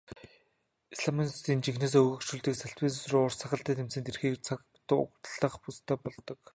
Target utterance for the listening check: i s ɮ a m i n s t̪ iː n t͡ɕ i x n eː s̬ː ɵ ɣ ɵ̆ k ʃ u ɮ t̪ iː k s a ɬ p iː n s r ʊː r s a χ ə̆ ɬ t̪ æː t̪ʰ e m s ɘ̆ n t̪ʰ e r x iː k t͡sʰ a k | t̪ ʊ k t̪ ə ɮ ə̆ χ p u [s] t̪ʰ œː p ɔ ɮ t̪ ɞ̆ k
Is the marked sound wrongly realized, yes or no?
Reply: no